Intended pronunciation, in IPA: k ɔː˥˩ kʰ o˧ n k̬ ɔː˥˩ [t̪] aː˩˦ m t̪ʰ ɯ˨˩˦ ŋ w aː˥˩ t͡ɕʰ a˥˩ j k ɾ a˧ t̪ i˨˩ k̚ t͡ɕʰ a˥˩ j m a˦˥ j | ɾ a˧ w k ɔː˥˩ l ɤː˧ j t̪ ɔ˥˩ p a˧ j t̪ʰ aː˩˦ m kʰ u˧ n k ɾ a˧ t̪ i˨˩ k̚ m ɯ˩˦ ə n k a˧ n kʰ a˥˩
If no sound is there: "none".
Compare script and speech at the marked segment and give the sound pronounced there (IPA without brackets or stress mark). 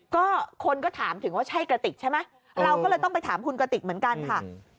t̪ʰ